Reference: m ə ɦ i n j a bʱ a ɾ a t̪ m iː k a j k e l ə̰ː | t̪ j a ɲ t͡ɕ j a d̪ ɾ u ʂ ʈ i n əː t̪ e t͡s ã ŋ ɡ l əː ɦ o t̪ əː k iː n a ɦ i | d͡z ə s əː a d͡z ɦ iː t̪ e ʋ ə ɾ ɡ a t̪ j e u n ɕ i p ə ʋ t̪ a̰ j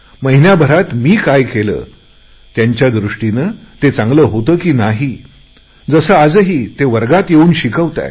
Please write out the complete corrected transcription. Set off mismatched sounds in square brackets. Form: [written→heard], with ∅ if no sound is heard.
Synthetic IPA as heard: m ə ɦ i n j a bʱ [a→ə] ɾ a t̪ m iː k a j k e l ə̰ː | t̪ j a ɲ t͡ɕ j a d̪ ɾ u ʂ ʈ i n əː t̪ e t͡s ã ŋ ɡ l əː ɦ o t̪ əː k iː n a ɦ i | d͡z ə s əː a d͡z ɦ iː t̪ e ʋ ə ɾ ɡ a t̪ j e [u→uː] n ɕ i [p→k] ə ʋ t̪ a̰ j